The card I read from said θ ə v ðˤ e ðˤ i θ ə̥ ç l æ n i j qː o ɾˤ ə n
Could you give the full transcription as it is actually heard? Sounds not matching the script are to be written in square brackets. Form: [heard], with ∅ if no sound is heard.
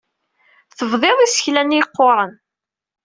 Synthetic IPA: θ ə v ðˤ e ðˤ i [s] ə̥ ç l æ n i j qː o ɾˤ ə n